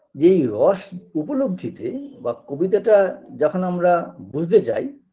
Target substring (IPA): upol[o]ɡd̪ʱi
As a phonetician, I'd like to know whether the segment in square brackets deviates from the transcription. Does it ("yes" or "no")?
no